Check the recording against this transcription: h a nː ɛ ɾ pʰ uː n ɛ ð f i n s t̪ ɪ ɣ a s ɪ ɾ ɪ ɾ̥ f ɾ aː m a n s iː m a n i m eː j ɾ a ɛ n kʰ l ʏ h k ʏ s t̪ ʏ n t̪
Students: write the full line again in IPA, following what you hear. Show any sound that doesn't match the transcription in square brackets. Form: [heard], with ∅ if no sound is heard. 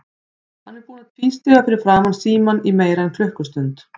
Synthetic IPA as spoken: h a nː ɛ ɾ [p] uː n [a] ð f i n s t̪ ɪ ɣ a [f] ɪ ɾ ɪ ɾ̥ f ɾ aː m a n s iː m a n i m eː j ɾ a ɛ n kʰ l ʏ h k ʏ s t̪ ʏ n t̪